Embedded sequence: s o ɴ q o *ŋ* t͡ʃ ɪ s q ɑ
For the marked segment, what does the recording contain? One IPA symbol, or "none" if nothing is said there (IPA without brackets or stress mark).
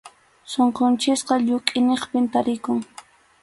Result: n